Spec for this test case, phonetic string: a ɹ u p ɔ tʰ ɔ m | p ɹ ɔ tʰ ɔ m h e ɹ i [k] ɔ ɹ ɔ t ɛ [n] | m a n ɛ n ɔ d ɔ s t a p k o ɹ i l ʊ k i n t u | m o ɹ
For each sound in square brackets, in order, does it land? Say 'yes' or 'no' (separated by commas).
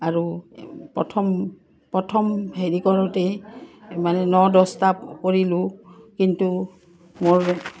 yes, no